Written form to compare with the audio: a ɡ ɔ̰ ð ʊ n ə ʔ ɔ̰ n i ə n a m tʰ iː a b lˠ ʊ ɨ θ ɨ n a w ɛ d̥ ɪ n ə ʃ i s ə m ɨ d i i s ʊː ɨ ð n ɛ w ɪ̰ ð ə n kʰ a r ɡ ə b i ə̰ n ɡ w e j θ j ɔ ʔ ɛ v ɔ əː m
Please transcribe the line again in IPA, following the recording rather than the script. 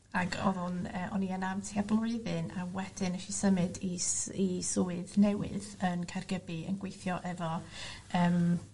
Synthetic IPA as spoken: a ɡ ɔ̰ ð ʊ n ə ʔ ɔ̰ n i ə n a m tʰ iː a b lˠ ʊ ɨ ð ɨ n a w ɛ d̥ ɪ n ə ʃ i s ə m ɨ d i i s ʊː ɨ ð n ɛ w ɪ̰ ð ə n kʰ a r ɡ ə b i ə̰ n ɡ w e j θ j ɔ ʔ ɛ v ɔ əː m